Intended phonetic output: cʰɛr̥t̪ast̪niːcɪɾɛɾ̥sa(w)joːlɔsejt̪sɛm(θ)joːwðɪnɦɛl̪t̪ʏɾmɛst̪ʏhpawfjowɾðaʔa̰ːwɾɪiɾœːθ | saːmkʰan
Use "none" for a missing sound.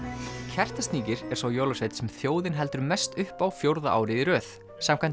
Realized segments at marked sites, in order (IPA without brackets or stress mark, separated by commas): w, θ